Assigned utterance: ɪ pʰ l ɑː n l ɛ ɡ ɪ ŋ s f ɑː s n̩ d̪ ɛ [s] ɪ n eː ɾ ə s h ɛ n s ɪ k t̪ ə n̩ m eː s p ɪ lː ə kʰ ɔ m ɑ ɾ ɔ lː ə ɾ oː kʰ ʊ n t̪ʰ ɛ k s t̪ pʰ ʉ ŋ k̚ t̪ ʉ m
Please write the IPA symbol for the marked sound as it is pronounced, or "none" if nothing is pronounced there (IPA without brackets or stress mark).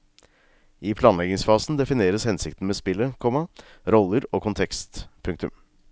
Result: f